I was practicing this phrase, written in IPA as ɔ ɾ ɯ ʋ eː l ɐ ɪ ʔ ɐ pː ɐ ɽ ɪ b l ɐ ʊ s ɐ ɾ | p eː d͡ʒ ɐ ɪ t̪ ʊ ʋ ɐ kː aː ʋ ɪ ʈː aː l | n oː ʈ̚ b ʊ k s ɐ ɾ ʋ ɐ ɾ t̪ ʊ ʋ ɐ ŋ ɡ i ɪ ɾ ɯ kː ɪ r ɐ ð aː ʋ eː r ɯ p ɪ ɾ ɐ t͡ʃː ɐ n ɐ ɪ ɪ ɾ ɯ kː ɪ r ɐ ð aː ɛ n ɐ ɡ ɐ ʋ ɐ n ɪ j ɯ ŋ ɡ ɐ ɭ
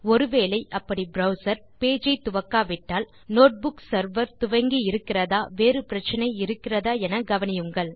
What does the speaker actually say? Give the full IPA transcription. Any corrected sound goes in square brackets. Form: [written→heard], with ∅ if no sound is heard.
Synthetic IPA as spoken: ɔ ɾ ɯ ʋ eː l ɐ ɪ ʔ ɐ pː ɐ ɽ [ɪ→i] b [l→ɾ] ɐ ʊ s ɐ ɾ | p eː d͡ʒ ɐ ɪ t̪ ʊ ʋ ɐ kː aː ʋ ɪ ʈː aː l | n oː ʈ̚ b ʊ k s ɐ ɾ ʋ ɐ ɾ t̪ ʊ ʋ ɐ ŋ ɡ i ɪ ɾ ɯ kː ɪ r ɐ ð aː ʋ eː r ɯ p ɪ ɾ ɐ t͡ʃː ɐ n ɐ ɪ ɪ ɾ ɯ kː ɪ r ɐ ð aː ɛ n ɐ ɡ ɐ ʋ ɐ n ɪ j ɯ ŋ ɡ ɐ ɭ